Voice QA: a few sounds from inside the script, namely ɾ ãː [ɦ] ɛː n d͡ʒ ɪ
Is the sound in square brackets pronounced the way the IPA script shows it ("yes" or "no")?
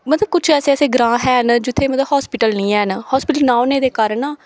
yes